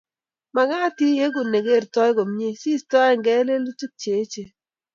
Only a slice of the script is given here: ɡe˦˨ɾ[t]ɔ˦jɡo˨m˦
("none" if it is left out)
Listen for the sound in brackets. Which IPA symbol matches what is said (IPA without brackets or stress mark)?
t